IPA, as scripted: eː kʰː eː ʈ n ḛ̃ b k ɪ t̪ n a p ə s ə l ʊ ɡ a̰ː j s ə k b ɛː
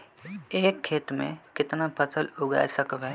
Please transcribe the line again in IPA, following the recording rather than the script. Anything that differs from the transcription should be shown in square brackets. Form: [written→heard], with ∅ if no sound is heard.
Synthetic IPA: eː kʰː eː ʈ [n→m] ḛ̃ [b→∅] k ɪ t̪ n a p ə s ə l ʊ ɡ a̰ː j s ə k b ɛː